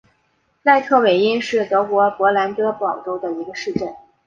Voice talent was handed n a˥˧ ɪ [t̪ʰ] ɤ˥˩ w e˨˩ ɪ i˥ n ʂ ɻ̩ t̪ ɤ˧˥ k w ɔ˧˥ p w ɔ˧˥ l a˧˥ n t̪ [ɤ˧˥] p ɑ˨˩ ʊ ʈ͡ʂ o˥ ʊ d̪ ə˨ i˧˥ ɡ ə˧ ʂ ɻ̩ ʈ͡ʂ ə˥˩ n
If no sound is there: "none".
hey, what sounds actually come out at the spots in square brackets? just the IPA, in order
t̪ʰ, ɤ˥

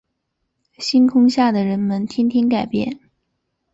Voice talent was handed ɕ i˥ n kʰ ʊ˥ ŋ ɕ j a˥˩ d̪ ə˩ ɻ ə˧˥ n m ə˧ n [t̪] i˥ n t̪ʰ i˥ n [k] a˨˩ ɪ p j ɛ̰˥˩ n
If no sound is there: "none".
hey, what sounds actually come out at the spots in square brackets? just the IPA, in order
t̪ʰ, k

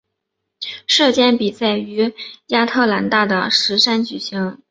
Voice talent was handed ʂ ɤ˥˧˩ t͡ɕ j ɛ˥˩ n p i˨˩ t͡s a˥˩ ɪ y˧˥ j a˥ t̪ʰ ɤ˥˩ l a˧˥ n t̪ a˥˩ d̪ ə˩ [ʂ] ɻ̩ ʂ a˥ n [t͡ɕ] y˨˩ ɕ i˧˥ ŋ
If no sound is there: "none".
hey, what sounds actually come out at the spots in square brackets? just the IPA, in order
ʂ, t͡ɕ

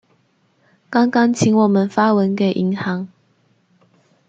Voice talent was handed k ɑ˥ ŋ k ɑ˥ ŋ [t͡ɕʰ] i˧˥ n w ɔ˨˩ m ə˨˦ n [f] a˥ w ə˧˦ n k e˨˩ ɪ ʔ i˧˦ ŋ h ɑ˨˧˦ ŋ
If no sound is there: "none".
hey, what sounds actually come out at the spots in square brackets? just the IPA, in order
t͡ɕʰ, f

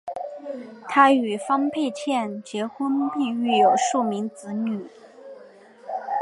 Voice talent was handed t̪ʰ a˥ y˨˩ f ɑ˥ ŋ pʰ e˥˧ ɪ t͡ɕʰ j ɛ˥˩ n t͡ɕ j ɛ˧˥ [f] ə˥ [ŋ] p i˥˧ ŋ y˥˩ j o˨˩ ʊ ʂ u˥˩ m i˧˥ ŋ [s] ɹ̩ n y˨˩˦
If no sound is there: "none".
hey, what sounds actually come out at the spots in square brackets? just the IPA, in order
x, n, t͡s

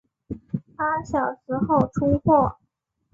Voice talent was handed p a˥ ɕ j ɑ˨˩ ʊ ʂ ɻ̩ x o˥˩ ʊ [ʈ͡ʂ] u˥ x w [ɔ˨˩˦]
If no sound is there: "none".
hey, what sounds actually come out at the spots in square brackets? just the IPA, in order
ʈ͡ʂʰ, ɔ˥˩

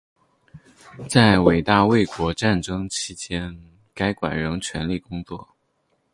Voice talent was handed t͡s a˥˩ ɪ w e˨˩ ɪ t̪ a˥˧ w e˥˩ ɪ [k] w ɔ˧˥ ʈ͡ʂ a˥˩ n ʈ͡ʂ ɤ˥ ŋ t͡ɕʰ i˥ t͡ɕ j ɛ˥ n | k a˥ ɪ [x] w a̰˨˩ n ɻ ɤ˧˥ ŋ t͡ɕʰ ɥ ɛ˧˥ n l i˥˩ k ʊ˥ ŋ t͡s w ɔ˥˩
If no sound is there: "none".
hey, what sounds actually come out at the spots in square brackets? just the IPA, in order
k, k

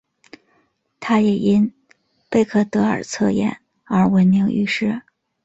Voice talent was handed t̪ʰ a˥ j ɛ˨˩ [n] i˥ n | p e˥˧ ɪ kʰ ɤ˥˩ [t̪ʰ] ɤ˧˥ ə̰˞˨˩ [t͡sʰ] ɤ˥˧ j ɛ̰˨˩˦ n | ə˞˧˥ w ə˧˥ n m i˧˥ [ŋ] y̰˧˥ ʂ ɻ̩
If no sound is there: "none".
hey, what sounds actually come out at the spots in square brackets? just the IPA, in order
none, t̪, t͡sʰ, ŋ

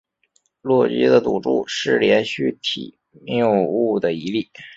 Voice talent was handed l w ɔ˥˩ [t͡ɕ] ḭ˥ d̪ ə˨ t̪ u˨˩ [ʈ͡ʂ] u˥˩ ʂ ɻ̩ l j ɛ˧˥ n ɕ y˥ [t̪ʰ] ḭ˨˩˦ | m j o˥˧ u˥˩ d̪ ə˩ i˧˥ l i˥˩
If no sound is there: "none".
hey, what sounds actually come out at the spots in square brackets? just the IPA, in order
t͡ɕ, ʈ͡ʂ, t̪ʰ

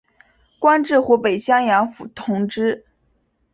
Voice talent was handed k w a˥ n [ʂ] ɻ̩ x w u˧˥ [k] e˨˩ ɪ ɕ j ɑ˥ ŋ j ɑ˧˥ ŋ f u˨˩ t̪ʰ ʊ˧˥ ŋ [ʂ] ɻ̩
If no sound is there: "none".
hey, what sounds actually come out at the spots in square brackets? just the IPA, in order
ʈ͡ʂ, p, ʈ͡ʂ

